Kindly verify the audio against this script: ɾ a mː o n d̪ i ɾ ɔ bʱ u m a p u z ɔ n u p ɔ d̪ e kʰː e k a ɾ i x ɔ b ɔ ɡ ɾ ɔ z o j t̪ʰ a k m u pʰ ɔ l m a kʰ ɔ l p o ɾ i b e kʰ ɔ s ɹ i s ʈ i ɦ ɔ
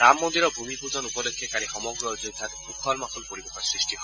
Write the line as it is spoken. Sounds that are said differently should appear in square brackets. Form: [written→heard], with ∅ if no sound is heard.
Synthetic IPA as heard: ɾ a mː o n d̪ i ɾ ɔ bʱ u m [a→i] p u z ɔ n u p ɔ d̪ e kʰː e k a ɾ i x ɔ [b→m] ɔ ɡ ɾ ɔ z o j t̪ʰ a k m u [pʰ→kʰ] ɔ l m a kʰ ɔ l p o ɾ i b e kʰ ɔ s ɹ i s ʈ i ɦ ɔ